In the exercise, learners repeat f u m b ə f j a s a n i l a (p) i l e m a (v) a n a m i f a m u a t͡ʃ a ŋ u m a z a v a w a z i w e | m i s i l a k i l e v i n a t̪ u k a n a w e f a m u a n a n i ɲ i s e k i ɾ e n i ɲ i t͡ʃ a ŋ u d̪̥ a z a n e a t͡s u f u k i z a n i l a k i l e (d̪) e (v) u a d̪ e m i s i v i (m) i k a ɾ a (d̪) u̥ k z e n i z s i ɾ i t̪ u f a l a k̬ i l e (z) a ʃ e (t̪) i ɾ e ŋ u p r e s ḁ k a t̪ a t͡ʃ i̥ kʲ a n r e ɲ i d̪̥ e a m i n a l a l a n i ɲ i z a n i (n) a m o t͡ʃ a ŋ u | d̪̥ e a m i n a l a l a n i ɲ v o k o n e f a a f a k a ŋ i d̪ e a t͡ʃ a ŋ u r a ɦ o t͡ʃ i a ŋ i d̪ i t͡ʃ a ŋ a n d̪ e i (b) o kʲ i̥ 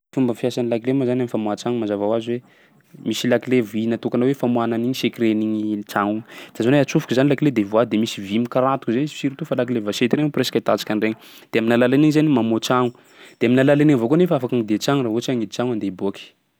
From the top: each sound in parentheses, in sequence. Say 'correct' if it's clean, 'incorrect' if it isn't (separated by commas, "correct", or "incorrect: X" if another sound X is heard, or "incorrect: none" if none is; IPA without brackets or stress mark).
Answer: incorrect: k, incorrect: z, correct, correct, correct, incorrect: t̪, incorrect: v, correct, incorrect: m, correct